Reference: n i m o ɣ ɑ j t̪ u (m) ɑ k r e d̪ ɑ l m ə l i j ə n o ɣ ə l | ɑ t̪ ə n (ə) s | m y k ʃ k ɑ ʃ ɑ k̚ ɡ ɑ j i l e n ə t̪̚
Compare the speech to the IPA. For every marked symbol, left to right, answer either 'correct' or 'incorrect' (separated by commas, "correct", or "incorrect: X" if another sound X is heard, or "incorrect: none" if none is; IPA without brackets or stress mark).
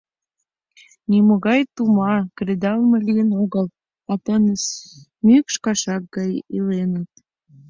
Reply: correct, correct